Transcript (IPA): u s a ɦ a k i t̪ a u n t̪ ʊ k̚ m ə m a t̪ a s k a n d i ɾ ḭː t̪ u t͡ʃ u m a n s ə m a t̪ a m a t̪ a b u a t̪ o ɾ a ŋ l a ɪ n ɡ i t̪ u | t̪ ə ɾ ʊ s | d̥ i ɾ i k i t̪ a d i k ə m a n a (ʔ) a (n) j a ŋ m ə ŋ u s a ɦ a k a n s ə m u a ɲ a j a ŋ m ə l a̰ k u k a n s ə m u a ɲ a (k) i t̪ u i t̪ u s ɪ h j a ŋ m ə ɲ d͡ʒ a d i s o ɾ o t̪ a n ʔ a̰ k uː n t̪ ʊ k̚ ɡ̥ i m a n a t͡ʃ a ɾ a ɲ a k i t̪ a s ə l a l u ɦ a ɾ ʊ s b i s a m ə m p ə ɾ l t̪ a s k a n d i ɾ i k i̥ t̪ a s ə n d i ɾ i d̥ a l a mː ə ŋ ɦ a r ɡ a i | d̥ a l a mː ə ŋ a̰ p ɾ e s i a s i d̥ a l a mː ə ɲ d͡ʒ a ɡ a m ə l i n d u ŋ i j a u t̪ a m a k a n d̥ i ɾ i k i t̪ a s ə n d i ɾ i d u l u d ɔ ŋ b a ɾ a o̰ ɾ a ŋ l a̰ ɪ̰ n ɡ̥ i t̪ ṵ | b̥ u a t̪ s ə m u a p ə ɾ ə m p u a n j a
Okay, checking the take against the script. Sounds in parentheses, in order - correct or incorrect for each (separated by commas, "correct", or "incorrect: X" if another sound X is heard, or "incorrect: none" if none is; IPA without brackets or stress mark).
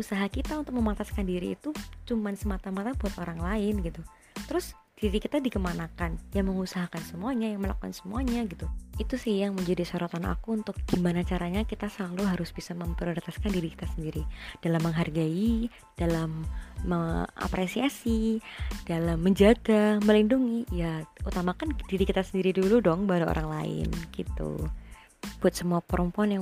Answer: incorrect: k, correct, incorrect: ɡ